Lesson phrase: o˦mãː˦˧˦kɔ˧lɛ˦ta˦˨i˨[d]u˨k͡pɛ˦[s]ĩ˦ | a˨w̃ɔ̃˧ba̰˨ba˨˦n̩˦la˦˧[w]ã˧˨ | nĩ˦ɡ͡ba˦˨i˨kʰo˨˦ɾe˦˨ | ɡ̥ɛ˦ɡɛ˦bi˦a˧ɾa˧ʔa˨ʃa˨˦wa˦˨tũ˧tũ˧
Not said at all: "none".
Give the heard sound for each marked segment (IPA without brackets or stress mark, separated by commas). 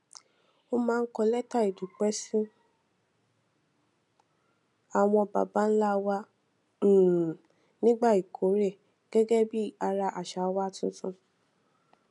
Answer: d, s, w